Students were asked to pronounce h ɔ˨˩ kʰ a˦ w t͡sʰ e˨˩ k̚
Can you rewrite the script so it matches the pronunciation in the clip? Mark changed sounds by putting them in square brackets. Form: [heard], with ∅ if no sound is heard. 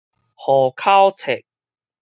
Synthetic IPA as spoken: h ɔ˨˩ kʰ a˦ w t͡sʰ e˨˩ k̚